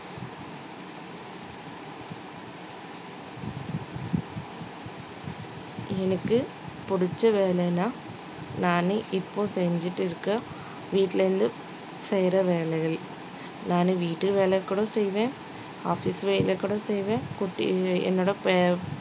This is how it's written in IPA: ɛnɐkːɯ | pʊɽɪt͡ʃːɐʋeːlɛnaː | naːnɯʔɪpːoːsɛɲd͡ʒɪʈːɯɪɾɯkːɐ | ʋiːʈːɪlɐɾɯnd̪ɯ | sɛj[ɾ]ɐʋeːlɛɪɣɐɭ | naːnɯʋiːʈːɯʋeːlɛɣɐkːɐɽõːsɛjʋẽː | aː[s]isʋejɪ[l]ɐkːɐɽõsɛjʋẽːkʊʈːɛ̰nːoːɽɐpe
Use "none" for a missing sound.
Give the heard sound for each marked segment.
ɾ, f, l

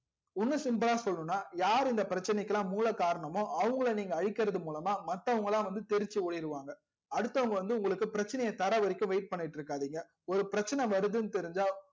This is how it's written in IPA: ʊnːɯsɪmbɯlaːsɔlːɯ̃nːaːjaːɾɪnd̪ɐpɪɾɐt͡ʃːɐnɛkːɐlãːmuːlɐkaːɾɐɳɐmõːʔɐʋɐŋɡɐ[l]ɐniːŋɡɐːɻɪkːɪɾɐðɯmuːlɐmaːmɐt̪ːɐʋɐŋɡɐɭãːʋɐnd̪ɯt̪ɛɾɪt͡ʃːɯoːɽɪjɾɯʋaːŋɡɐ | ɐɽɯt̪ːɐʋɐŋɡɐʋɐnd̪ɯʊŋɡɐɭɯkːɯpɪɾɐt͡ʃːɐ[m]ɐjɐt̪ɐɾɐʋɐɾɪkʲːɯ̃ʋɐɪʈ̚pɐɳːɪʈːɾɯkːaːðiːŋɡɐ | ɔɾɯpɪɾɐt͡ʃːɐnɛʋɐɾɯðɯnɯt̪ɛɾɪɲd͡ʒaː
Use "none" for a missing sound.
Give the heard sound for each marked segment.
ɭ, n

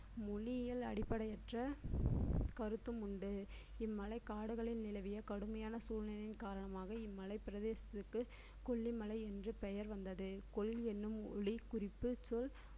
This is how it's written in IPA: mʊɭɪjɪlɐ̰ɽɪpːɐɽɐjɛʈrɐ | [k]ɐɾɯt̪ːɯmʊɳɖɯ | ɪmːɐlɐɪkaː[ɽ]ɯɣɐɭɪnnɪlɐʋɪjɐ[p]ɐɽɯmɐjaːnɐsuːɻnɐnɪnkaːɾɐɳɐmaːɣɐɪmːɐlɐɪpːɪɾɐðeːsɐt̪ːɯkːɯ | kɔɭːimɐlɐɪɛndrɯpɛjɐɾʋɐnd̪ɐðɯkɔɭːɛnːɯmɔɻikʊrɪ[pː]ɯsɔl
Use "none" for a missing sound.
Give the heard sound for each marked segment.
k, ɽ, k, pː

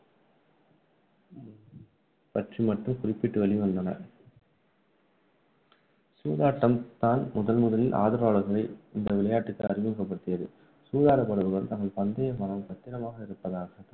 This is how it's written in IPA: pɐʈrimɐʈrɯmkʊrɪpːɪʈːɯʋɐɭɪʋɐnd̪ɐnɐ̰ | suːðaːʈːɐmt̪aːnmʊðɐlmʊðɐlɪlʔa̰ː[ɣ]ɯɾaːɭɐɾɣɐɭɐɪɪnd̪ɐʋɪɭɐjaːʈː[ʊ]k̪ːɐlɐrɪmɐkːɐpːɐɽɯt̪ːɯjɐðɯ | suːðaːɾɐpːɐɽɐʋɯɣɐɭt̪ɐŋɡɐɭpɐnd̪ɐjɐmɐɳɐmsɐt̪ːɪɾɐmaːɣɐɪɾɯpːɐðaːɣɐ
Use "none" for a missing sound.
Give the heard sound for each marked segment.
ð, ɯ

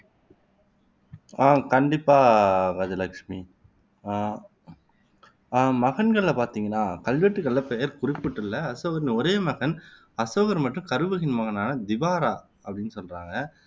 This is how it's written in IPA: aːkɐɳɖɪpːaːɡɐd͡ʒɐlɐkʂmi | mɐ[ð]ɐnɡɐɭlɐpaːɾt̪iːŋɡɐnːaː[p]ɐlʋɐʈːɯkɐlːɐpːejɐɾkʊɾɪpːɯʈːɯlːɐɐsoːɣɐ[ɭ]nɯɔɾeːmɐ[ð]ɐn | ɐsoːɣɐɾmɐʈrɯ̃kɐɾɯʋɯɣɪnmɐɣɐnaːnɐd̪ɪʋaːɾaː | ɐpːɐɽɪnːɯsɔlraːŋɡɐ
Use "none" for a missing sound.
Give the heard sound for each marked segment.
ɣ, k, ɾ, ɣ

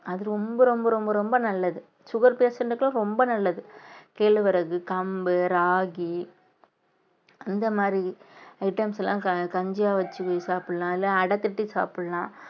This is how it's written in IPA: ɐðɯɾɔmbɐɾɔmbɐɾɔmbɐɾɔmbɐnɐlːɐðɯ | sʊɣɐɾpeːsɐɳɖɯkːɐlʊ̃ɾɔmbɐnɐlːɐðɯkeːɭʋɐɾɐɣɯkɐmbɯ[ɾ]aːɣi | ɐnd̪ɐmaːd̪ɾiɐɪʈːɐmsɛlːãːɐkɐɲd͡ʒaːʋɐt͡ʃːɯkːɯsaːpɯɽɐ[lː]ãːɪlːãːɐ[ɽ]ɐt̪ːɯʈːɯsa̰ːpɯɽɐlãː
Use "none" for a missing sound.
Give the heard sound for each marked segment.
ɾ, l, ɽ

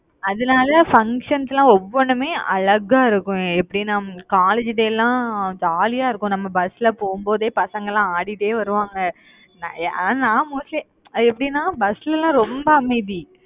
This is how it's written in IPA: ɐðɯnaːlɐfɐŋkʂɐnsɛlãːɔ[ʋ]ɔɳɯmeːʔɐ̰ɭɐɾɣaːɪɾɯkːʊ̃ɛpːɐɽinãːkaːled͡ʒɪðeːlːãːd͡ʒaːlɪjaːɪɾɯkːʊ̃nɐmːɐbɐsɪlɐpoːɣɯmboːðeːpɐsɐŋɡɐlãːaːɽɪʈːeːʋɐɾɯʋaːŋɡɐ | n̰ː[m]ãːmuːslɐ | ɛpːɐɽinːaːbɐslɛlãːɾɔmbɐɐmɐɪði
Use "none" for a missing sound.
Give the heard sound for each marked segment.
ʋː, n

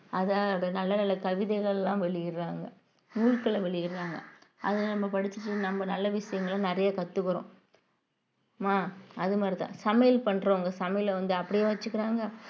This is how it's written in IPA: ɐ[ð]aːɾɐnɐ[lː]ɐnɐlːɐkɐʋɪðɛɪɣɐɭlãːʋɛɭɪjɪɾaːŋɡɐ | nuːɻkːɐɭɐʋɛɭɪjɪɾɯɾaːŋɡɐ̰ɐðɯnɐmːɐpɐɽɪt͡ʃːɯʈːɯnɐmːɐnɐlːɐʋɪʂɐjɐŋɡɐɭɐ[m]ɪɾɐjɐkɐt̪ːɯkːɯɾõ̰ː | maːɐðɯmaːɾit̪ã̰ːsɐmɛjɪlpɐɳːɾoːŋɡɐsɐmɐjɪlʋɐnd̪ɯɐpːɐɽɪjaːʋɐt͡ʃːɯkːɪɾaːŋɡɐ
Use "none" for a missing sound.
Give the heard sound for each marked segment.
ð, lː, n

